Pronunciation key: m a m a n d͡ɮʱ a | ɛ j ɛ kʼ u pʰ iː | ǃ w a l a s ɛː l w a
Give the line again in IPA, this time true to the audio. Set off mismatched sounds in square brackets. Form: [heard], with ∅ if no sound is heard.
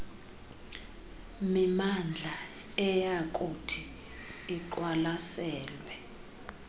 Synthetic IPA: m [i] m a n d͡ɮʱ a | ɛ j [a] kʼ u [tʰ] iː | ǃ w a l a s ɛː l w [ɛ]